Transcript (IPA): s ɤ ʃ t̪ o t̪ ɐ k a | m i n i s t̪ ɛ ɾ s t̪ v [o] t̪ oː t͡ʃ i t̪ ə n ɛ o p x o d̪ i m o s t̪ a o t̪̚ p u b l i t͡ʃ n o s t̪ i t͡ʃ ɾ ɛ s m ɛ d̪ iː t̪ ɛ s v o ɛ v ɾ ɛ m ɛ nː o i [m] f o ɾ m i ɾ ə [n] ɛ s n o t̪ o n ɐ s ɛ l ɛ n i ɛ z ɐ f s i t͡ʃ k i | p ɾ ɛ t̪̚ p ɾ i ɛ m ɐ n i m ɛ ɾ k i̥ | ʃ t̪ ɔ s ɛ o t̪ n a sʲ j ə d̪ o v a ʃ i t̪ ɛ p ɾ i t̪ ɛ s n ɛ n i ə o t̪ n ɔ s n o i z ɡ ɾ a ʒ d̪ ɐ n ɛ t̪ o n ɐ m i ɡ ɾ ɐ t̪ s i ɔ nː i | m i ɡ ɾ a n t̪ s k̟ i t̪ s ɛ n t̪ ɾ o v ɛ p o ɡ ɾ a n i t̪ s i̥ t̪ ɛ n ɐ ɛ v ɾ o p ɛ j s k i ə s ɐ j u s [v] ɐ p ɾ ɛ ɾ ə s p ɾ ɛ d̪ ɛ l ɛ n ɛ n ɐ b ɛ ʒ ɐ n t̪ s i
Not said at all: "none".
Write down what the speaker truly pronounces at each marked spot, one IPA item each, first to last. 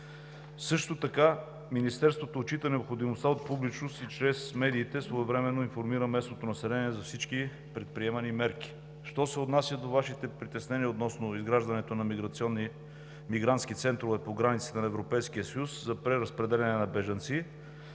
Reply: o, n, m, z

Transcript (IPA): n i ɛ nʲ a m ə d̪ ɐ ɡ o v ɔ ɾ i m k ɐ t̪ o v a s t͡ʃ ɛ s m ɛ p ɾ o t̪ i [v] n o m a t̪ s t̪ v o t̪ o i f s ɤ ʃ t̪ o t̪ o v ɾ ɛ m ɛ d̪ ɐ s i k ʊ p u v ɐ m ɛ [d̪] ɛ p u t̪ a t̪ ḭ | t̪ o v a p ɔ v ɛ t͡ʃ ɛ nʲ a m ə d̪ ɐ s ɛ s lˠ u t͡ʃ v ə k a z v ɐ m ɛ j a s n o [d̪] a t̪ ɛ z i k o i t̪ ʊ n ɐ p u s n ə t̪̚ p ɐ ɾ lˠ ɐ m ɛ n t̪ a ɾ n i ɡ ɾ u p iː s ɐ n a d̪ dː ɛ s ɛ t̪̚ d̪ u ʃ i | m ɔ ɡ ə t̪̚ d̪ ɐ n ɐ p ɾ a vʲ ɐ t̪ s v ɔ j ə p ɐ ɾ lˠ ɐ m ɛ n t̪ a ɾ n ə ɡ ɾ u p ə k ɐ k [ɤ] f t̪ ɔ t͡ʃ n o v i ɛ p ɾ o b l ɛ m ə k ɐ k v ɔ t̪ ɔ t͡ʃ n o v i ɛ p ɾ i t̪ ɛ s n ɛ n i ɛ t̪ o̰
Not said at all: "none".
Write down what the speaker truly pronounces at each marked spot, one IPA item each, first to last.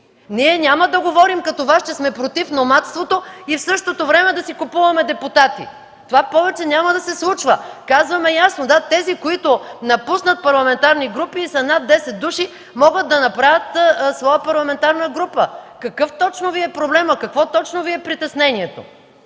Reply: f, d̪, d̪, ɤ

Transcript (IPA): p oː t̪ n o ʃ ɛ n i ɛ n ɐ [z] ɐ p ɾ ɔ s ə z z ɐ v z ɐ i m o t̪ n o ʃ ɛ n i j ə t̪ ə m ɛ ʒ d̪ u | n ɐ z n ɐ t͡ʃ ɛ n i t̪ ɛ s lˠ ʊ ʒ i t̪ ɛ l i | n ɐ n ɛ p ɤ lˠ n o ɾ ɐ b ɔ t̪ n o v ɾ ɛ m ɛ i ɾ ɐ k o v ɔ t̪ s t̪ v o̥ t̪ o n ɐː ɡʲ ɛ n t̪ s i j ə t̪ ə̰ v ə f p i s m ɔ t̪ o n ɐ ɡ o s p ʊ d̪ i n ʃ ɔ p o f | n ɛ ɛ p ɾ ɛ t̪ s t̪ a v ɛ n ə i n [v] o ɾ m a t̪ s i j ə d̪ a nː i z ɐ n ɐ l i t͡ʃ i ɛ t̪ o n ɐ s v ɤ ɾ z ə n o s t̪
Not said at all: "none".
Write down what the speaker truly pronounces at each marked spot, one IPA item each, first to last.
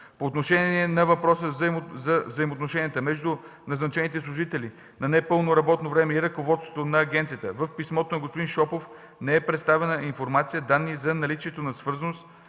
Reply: v, f

